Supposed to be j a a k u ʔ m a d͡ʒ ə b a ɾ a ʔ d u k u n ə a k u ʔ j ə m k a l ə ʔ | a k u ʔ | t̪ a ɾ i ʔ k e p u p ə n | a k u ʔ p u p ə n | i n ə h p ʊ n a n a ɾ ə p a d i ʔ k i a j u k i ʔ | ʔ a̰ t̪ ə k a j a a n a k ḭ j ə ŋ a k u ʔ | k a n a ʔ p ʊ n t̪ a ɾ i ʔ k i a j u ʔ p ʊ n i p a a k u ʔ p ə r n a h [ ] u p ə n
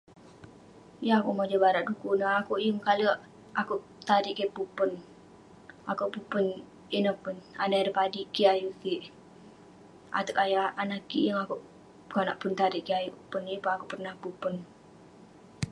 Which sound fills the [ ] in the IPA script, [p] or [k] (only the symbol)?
p